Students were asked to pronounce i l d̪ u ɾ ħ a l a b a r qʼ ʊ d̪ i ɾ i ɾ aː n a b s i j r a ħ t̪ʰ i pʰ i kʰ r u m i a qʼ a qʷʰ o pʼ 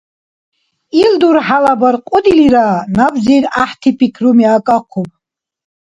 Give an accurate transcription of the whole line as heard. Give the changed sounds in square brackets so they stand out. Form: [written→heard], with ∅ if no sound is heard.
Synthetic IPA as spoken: i l d̪ u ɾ ħ a l a b a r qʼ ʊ d̪ i [ɾ→l] i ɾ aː n a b [s→z] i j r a ħ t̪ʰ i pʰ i kʰ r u m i a [qʼ→kʼ] a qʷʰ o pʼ